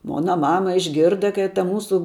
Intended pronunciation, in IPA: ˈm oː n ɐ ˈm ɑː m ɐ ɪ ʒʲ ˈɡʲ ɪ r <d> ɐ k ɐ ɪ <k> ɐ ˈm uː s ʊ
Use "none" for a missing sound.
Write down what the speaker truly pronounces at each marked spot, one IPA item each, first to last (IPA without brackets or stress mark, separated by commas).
d, t